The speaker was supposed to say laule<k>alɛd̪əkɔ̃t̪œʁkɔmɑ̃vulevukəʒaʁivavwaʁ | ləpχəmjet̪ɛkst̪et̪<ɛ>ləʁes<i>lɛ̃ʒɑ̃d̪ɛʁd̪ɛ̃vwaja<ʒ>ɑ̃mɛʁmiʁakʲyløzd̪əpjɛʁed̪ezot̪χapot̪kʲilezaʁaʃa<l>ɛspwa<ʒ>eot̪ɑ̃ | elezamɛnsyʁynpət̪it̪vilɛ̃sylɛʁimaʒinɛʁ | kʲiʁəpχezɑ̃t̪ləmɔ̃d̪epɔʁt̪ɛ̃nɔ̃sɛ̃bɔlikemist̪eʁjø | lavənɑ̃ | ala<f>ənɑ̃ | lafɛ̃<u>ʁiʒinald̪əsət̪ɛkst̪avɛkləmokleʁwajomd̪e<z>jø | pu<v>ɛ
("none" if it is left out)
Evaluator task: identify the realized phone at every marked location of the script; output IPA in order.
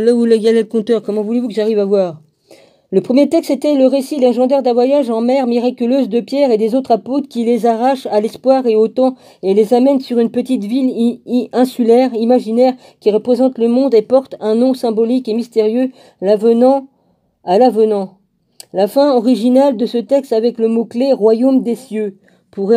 ɡ, ɛ, i, ʒ, l, ʁ, v, ɔ, s, ʁ

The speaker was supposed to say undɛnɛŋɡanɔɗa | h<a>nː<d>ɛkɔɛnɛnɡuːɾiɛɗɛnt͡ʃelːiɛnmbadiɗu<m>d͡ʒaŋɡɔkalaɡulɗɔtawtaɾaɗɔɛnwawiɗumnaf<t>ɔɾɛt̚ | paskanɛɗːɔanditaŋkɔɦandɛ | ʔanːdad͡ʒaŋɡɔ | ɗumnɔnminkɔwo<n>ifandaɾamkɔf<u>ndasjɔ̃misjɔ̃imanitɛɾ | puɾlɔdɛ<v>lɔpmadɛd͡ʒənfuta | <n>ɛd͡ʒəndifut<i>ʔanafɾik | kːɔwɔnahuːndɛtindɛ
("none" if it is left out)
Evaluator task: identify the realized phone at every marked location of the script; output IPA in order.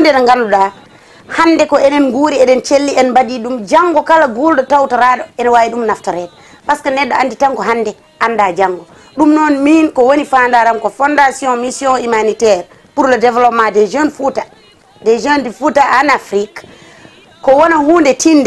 a, d, m, t, n, ɔ, v, d, a

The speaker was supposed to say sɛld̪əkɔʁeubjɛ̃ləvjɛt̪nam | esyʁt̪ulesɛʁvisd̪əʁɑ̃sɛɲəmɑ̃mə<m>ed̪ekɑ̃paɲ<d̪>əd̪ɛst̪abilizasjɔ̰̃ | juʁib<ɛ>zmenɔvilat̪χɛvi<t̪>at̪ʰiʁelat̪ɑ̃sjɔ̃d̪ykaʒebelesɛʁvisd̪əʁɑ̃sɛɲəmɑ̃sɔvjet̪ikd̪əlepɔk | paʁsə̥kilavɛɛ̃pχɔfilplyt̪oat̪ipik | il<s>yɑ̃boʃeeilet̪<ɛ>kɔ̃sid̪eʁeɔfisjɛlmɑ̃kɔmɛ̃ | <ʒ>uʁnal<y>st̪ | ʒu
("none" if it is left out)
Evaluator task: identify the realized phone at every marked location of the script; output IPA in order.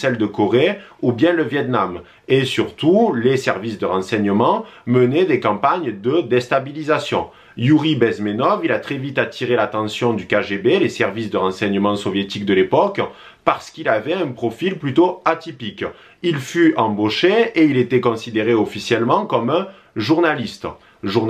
n, d̪, ɛ, t̪, f, ɛ, ʒ, i

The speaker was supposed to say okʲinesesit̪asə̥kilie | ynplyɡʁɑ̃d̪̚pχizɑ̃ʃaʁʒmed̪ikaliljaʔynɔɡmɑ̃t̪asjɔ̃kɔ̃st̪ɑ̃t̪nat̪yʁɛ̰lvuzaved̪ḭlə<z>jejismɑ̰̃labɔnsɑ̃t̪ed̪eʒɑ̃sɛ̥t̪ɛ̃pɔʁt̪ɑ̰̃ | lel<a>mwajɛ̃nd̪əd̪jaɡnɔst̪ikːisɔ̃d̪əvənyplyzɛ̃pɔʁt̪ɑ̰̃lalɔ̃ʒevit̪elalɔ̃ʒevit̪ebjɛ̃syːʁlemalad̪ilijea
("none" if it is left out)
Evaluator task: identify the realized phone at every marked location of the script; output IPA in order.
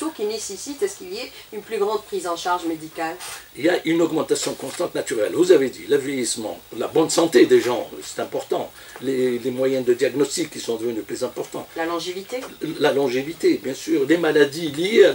v, e

